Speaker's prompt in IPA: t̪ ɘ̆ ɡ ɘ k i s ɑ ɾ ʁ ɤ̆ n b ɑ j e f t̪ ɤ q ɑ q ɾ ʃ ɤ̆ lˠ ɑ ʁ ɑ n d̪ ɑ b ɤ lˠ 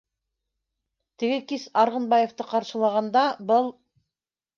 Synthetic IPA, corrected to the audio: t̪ ɘ̆ ɡ ɘ k i s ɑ ɾ ʁ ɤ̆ n b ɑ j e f t̪ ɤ q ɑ ɾ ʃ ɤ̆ lˠ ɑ ʁ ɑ n d̪ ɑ b ɤ lˠ